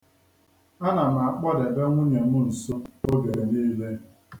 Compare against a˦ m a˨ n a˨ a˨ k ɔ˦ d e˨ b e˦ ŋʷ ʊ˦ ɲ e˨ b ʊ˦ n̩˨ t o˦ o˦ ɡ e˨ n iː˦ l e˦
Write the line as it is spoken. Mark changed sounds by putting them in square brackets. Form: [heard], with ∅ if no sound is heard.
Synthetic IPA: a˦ [n] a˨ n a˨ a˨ [k͡p] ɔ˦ d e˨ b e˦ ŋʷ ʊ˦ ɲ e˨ [m] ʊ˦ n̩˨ [s] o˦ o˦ ɡ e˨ n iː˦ l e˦

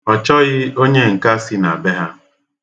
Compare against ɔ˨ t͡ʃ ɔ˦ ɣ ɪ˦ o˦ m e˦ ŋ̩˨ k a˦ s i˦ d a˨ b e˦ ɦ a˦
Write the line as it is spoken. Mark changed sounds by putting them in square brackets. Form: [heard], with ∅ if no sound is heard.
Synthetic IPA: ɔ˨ t͡ʃ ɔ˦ ɣ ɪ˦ o˦ [ɲ] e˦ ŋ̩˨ k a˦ s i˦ [n] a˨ b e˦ ɦ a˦

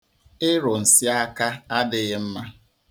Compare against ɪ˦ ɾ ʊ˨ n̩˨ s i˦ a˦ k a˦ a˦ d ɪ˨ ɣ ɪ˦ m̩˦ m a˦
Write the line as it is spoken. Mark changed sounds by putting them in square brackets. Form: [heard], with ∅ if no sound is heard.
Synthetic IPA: ɪ˦ ɾ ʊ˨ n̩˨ s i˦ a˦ k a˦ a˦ d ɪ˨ ɣ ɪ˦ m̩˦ m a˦

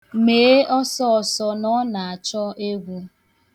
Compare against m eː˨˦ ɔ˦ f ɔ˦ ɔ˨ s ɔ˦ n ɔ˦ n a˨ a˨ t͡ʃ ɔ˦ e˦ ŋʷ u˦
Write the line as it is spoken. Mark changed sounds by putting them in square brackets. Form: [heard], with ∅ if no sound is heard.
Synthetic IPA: m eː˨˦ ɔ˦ [s] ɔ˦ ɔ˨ s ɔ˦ n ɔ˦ n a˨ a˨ t͡ʃ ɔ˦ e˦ [ɡʷ] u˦

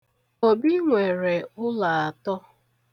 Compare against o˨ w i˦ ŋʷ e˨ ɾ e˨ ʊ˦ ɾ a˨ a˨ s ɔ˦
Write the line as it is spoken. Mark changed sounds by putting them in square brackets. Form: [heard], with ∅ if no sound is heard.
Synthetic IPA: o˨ [b] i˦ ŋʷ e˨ ɾ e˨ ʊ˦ [l] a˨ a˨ [t] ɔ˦

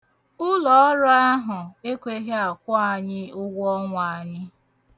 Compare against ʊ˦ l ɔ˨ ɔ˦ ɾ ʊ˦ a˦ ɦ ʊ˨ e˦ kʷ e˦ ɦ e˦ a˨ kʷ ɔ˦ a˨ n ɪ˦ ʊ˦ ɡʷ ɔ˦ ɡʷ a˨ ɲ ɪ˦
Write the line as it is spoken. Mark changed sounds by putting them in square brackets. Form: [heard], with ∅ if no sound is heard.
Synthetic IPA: ʊ˦ l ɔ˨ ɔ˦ ɾ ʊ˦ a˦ ɦ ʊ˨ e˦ kʷ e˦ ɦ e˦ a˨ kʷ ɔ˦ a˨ [ɲ] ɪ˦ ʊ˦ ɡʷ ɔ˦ [ŋʷ] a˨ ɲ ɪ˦

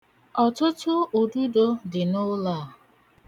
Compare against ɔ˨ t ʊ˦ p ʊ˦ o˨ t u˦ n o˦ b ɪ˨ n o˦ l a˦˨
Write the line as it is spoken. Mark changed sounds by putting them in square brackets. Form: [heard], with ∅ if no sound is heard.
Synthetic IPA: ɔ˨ t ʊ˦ [t] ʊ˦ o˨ [d] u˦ [d] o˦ [d] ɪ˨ n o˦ l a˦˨

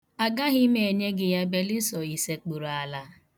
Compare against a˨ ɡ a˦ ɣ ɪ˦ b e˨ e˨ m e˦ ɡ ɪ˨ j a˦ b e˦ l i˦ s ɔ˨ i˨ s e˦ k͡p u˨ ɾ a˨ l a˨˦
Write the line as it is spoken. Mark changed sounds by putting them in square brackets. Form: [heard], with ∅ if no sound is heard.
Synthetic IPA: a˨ ɡ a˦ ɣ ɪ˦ [m] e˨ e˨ [ɲ] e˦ ɡ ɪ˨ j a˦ b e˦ l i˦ s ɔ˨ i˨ s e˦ k͡p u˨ ɾ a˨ l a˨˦

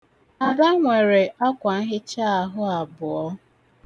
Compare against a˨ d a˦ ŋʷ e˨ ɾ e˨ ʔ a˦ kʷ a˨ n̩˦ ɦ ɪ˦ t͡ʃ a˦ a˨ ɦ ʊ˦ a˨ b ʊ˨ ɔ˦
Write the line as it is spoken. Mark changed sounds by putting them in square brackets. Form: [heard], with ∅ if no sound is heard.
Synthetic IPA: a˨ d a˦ ŋʷ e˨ ɾ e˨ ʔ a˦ kʷ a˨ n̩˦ ɦ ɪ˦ t͡ʃ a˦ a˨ ɦ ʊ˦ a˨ b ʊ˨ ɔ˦

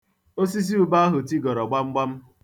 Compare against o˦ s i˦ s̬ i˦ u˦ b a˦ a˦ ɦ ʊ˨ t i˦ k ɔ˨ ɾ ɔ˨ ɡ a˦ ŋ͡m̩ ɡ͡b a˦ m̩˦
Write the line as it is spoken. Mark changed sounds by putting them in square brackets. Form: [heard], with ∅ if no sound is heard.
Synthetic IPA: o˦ s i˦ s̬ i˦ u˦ b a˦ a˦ ɦ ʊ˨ t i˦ [ɡ] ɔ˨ ɾ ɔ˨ [ɡ͡b] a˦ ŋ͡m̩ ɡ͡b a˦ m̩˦

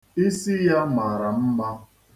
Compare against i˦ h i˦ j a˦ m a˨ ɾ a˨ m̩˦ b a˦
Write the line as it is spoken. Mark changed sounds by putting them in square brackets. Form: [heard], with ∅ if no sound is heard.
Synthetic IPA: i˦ [s] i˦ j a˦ m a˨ ɾ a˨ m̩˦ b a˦

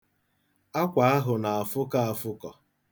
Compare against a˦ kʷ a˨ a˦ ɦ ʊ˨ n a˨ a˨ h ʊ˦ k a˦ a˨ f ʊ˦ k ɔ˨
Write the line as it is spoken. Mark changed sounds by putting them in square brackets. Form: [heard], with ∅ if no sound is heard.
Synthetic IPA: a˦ kʷ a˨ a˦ ɦ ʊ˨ n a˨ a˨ [f] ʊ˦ k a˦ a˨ f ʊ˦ k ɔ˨

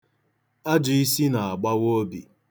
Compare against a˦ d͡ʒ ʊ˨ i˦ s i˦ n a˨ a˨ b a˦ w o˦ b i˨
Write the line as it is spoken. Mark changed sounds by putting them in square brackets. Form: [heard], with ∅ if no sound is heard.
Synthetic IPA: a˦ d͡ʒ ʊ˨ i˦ s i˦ n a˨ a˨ [ɡ͡b] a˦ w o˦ b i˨

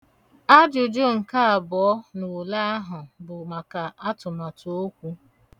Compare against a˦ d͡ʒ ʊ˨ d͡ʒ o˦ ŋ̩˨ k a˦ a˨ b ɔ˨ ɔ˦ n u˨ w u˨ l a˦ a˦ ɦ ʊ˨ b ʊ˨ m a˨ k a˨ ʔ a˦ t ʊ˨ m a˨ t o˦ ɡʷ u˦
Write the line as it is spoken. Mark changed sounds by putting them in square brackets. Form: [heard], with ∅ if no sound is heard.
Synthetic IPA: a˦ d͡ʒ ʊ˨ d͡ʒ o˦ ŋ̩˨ k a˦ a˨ b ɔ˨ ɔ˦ n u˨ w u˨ l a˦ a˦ ɦ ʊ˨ b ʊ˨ m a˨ k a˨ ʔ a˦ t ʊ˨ m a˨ t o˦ [kʷ] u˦

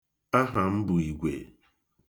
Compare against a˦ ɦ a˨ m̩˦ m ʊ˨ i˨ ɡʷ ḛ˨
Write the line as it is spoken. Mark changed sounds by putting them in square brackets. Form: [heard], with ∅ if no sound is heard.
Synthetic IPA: a˦ ɦ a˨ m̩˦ [b] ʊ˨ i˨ ɡʷ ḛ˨

